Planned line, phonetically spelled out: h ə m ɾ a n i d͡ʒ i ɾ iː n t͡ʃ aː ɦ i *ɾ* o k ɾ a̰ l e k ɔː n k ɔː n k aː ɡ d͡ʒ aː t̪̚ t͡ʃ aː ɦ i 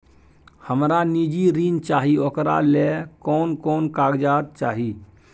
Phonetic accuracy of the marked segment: incorrect: none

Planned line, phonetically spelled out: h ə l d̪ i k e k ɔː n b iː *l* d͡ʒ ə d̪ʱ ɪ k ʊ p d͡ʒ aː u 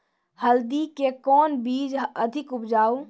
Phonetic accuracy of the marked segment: incorrect: none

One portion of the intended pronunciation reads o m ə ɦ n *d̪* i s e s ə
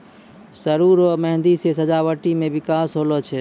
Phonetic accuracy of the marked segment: correct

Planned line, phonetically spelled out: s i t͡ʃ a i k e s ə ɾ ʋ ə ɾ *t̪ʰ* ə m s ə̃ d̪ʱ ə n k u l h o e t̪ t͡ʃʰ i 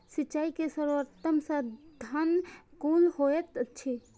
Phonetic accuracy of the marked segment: incorrect: t̪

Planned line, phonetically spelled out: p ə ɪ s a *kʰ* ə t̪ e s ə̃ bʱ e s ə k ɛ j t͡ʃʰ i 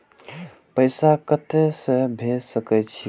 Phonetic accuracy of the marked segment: incorrect: k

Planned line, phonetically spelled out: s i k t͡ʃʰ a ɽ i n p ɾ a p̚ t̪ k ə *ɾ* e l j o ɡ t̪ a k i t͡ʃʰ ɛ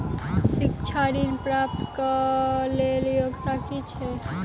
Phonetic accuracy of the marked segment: incorrect: l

